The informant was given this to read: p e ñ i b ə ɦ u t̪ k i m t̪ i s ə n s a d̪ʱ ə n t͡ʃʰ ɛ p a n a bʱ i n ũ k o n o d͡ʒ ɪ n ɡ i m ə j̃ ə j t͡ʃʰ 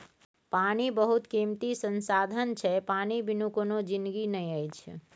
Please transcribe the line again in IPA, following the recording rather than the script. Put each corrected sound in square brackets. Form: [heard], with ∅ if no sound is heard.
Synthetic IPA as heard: p [a] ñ i b ə ɦ u t̪ k i m t̪ i s ə n s a d̪ʱ ə n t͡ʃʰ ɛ p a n [i] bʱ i n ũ k o n o d͡ʒ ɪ n ɡ i [n] ə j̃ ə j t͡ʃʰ